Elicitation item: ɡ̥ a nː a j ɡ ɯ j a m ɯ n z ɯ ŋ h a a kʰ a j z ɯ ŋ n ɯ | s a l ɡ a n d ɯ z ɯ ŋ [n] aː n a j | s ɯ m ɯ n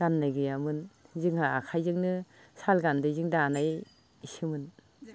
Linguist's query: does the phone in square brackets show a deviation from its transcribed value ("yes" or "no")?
yes